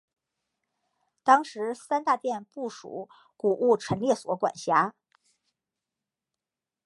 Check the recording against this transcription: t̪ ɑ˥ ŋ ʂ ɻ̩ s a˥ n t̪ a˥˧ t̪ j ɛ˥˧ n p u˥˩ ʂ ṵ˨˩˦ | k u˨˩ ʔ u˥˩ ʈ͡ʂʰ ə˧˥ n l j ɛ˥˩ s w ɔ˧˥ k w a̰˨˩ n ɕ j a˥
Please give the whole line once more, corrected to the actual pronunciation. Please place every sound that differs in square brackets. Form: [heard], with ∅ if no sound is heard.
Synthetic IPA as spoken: t̪ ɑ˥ ŋ ʂ ɻ̩ s a˥ n t̪ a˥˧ t̪ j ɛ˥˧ n p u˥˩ ʂ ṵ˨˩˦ | k u˨˩ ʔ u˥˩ ʈ͡ʂʰ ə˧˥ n l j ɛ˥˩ s w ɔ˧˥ k w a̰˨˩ n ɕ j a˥